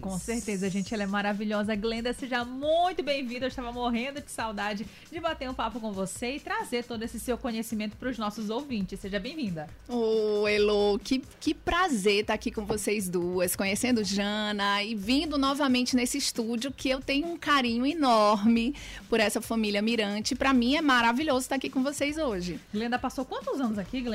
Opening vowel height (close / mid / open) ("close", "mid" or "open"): mid